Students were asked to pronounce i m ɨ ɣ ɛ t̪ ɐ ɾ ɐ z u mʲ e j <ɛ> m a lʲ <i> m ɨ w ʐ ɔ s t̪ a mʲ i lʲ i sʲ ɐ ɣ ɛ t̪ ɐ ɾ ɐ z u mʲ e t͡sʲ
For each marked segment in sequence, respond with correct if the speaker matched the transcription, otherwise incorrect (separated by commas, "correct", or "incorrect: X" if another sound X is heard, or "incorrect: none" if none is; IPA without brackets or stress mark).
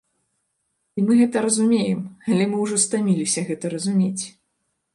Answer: correct, incorrect: ɛ